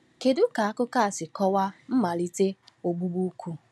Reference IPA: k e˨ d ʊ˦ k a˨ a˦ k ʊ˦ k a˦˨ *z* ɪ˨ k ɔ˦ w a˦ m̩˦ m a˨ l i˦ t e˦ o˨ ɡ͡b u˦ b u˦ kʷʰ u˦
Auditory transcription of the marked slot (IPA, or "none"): s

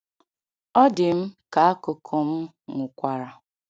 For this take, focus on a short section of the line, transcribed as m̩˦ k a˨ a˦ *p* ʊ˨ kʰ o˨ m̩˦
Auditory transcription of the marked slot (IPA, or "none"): k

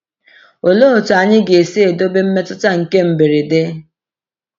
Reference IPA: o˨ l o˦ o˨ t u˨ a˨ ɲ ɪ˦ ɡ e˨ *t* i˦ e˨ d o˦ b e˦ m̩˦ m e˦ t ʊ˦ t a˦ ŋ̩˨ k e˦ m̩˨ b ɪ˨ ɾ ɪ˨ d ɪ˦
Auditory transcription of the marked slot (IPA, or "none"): s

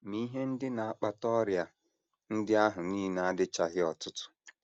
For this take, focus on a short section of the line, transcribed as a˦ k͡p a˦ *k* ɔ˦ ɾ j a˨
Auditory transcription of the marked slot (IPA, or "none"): t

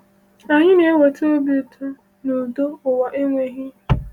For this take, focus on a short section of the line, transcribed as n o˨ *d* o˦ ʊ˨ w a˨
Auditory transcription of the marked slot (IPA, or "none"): d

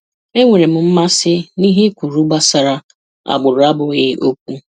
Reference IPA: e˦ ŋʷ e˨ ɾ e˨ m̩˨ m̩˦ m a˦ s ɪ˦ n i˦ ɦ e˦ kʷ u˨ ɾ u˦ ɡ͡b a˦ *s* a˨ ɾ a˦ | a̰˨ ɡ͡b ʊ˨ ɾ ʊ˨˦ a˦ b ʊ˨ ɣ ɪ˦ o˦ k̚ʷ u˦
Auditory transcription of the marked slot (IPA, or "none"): s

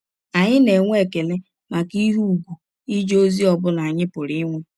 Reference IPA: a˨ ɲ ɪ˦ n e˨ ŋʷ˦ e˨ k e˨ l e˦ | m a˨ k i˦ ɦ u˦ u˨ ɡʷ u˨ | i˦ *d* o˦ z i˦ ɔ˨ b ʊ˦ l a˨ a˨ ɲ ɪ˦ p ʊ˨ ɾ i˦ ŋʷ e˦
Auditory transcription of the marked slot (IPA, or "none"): d͡ʒ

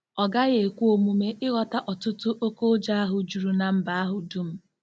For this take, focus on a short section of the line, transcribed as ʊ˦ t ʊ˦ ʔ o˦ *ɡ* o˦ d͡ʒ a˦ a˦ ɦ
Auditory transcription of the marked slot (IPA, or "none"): k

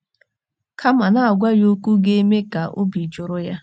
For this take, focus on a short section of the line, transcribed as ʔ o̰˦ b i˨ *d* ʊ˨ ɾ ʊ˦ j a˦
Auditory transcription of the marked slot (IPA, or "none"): d͡ʒ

